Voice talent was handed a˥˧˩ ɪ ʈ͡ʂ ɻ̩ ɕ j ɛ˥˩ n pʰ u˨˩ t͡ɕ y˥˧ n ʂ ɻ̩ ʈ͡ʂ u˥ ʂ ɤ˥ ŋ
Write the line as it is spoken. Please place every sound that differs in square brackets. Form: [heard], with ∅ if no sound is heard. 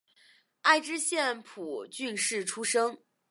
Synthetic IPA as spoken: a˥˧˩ ɪ ʈ͡ʂ ɻ̩ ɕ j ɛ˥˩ n pʰ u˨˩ t͡ɕ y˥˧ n ʂ ɻ̩ [ʈ͡ʂʰ] u˥ ʂ ɤ˥ ŋ